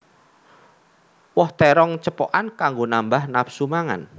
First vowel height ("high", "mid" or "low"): mid